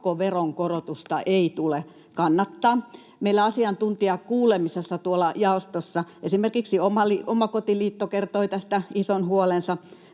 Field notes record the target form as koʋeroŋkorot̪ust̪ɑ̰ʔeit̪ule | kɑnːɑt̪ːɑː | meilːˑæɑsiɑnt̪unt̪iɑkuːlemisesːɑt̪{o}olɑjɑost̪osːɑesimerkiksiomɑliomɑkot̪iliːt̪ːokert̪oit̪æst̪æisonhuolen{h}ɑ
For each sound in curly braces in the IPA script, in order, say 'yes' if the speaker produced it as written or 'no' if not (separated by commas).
no, no